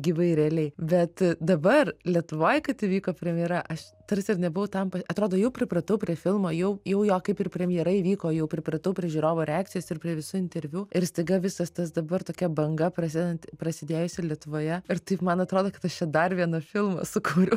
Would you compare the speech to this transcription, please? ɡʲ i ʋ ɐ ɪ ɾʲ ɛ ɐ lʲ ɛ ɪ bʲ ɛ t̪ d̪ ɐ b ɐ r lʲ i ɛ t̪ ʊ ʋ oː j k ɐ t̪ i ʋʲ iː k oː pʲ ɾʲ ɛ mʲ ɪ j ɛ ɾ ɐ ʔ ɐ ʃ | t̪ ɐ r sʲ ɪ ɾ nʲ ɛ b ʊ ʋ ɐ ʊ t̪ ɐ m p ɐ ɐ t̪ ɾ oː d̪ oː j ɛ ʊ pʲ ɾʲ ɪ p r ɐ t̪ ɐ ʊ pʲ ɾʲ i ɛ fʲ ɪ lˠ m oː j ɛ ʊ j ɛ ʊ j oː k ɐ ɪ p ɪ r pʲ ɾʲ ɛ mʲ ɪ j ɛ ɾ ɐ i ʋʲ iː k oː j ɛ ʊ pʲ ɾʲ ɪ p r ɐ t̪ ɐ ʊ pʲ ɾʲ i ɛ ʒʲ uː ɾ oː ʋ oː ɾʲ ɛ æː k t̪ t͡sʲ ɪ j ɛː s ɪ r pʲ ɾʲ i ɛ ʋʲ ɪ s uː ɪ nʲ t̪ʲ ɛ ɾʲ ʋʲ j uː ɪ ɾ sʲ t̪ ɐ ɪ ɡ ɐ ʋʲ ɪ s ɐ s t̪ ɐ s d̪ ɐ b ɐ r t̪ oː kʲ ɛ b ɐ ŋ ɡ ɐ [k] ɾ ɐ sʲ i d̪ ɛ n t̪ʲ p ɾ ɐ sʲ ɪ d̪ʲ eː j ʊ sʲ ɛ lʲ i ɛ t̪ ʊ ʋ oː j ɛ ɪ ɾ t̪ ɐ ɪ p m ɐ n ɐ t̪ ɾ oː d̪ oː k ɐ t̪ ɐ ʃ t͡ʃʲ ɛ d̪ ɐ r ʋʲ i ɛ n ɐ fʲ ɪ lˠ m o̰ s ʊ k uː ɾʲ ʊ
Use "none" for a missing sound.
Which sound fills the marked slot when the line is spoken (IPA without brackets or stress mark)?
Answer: p